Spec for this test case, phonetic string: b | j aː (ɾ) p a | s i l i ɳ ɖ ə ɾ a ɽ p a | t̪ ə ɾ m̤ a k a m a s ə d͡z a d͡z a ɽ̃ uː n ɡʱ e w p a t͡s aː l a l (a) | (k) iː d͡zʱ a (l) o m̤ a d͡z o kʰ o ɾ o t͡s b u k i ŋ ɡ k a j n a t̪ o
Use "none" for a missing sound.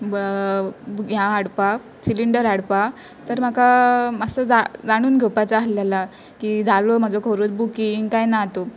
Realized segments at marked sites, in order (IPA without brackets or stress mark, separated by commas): ɽ, a, k, l